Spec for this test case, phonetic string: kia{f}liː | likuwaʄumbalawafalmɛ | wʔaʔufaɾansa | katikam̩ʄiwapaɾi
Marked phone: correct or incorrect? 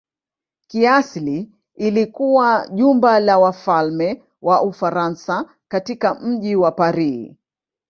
incorrect